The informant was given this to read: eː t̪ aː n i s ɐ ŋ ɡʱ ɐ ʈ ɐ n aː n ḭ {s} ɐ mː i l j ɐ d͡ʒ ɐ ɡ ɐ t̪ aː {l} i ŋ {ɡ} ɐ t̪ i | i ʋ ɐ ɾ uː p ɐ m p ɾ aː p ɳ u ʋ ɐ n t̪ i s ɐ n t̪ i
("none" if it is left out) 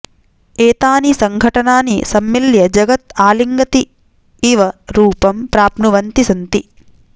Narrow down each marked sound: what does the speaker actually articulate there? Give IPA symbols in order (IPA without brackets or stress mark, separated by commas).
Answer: s, l, ɡ